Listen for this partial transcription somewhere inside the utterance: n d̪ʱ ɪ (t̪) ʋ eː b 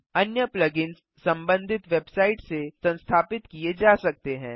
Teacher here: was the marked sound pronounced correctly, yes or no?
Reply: yes